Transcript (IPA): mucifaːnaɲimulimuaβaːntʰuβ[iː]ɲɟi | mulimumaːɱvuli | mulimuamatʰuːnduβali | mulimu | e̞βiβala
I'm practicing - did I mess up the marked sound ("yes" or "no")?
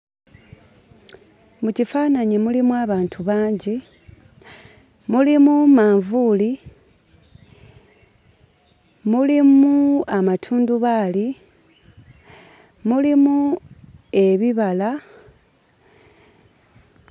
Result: yes